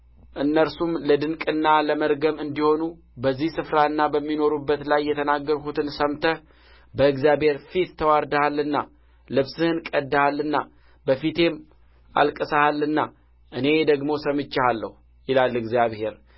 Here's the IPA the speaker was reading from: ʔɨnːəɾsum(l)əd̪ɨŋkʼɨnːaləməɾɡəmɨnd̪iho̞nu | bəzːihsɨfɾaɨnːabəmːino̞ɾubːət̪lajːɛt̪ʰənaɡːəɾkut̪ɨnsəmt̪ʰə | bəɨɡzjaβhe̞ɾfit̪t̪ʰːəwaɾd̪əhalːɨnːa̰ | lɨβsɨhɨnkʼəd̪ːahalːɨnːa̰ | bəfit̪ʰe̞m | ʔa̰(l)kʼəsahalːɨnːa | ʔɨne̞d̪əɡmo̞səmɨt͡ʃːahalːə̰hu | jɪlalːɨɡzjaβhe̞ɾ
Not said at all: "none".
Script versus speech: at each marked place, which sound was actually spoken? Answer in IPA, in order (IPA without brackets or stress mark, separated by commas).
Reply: l, l